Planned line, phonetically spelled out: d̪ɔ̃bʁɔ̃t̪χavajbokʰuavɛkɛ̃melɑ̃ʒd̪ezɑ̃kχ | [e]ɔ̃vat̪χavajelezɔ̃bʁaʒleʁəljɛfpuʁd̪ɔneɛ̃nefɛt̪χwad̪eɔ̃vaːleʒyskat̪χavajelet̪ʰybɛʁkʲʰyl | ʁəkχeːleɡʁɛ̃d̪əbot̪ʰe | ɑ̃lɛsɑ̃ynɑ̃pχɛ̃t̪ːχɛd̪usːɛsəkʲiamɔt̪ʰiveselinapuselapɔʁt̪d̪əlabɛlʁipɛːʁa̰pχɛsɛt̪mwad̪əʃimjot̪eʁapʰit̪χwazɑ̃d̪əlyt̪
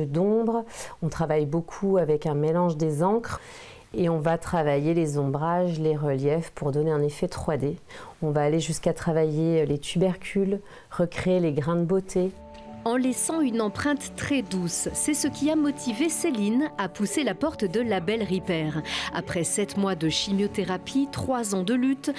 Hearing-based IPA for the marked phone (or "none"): e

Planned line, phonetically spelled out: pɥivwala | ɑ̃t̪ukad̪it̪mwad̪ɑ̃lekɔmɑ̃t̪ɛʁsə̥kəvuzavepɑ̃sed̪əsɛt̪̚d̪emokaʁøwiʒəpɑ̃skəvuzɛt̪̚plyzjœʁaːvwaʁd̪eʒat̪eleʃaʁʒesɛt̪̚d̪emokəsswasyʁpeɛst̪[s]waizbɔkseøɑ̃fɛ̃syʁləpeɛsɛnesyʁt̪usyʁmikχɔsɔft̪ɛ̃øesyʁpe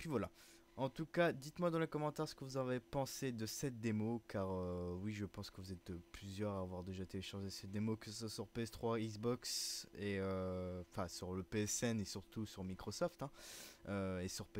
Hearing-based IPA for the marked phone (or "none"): χ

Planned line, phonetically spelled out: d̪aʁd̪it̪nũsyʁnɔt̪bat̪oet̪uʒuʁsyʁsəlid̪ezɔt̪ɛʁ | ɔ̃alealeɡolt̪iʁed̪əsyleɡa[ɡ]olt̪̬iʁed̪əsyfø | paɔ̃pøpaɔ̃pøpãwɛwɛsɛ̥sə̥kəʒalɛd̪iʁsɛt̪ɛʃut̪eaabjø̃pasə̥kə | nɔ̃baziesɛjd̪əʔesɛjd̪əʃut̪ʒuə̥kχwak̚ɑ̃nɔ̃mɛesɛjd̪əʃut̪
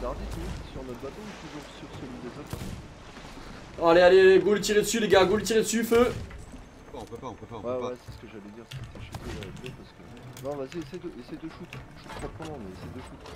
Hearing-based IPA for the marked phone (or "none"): ɡ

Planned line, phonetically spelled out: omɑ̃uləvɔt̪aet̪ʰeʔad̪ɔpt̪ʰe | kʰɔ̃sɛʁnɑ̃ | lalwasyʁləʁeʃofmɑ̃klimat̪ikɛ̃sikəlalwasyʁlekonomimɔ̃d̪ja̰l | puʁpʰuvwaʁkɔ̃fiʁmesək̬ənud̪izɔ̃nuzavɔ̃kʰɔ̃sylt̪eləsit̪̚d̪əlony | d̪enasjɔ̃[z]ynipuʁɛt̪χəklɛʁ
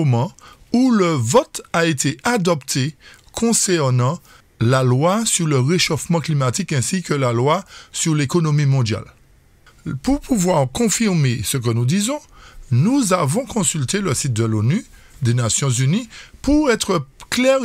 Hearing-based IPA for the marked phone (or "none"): z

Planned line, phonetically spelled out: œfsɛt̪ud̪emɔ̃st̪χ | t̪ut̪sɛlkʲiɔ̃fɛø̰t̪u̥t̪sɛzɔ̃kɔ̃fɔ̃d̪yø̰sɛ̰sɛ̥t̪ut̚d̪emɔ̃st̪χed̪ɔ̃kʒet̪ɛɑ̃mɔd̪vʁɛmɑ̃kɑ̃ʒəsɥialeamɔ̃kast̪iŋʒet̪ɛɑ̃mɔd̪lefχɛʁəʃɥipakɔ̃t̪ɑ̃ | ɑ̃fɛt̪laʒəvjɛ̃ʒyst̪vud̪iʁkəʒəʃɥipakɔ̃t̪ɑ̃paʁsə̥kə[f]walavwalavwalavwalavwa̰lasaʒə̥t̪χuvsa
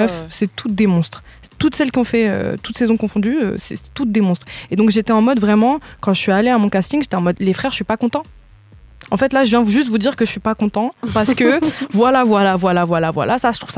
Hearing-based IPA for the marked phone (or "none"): v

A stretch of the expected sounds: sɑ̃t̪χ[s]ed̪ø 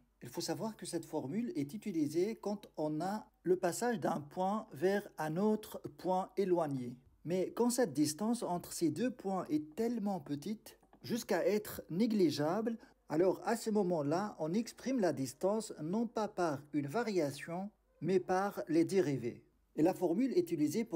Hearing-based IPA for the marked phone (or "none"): s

